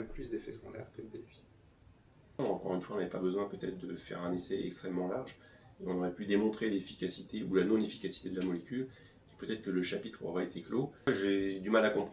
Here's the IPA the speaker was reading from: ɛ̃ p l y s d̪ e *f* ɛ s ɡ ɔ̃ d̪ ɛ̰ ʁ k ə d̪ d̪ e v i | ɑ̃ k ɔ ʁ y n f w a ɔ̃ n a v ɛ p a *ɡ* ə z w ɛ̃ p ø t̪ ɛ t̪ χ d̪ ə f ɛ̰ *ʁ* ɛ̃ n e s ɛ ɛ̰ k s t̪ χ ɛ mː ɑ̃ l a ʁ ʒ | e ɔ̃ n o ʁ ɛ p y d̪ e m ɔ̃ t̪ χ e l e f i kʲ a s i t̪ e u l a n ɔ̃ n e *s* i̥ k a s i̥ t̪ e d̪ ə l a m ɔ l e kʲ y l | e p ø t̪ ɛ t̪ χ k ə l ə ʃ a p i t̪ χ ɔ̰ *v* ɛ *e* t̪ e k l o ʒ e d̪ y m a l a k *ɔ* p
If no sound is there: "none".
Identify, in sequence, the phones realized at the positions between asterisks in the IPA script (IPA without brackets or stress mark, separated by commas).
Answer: f, b, ʁ, f, ʁ, e, ɔ̃